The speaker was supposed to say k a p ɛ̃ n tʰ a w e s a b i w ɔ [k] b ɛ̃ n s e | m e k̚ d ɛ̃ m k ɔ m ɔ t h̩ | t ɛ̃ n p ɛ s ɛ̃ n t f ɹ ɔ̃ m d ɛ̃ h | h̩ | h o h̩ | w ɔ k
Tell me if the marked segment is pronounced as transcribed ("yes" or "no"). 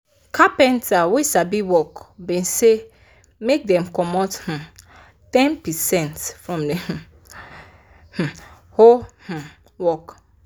yes